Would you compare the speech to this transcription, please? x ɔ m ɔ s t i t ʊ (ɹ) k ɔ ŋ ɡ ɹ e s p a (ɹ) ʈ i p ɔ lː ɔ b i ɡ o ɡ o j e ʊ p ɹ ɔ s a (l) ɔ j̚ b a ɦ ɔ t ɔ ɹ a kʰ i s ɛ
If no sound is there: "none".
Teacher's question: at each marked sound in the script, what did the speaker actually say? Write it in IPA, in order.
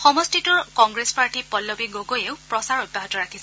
ɹ, ɹ, ɹ

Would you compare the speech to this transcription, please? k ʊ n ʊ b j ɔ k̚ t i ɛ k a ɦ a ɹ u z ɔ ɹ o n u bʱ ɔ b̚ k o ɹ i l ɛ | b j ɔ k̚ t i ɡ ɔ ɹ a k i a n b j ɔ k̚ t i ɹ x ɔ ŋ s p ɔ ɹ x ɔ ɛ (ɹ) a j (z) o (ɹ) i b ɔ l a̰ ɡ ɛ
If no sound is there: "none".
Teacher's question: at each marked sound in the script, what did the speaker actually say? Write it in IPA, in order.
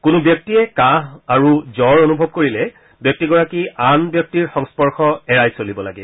ɹ, s, l

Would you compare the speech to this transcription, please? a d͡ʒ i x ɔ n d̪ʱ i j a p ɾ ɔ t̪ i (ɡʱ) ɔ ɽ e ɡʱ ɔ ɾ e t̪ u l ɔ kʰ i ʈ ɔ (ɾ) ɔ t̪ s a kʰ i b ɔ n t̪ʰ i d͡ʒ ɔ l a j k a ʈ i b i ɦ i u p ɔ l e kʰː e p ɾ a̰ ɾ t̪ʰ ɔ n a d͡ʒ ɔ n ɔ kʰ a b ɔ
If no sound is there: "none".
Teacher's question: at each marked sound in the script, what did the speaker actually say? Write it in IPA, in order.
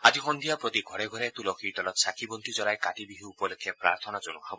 ɡʱ, l

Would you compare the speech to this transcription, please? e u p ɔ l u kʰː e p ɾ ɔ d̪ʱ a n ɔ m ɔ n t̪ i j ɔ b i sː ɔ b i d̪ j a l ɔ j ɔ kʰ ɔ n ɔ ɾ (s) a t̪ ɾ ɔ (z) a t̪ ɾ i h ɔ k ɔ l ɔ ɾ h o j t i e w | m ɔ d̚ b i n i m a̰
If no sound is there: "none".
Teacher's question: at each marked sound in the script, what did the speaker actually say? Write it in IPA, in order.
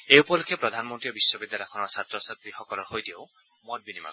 s, s

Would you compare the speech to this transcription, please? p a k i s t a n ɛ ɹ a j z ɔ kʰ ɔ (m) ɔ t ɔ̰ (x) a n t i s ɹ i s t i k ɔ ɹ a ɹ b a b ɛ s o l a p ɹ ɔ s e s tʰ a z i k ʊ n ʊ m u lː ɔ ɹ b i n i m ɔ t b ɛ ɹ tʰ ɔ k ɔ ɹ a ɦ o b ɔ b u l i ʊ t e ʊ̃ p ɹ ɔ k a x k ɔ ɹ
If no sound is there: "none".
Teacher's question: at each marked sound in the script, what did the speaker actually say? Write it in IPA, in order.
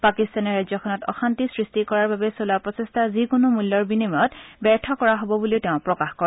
n, x

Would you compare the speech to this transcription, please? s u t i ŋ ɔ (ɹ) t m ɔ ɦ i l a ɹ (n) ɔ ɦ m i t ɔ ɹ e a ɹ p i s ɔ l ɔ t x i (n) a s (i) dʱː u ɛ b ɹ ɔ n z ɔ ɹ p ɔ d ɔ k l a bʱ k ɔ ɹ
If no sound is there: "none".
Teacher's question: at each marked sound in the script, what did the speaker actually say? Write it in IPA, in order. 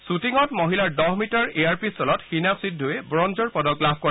none, d, n, i

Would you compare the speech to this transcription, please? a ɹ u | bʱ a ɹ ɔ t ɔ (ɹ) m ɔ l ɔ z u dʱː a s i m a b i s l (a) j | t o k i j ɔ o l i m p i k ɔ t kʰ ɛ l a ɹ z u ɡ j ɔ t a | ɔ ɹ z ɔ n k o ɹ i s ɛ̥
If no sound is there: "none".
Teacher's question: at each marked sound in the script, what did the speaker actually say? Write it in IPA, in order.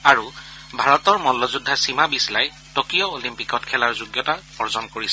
ɹ, a

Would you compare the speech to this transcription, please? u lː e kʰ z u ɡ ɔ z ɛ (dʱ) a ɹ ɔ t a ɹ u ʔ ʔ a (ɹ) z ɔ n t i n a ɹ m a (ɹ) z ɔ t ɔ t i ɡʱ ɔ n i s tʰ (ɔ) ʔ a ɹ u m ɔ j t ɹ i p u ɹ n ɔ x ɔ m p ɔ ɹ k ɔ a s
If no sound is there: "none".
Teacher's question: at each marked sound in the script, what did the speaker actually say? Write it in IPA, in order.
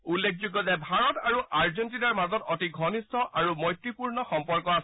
bʱ, ɹ, none, ɔ

